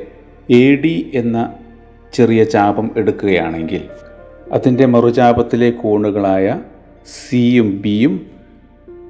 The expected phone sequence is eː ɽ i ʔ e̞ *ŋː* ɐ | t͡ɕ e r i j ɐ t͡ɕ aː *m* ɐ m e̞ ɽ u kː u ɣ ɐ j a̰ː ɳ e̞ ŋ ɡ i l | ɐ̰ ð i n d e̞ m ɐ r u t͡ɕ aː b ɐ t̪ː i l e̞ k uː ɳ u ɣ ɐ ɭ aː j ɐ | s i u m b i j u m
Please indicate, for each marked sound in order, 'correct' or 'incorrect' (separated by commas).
incorrect, incorrect